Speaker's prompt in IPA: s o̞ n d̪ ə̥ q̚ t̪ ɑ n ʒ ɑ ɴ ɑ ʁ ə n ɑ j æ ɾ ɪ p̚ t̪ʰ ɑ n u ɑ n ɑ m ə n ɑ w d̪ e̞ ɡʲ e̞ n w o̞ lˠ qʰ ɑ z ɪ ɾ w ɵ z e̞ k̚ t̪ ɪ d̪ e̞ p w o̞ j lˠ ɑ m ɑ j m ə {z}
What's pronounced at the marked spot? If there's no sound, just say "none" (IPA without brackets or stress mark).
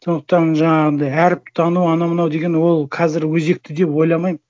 none